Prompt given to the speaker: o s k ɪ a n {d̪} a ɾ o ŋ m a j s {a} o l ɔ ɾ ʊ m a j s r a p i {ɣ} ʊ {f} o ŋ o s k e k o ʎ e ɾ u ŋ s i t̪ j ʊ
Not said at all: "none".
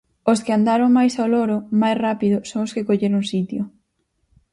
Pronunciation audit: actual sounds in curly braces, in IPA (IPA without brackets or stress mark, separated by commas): d̪, a, ð, s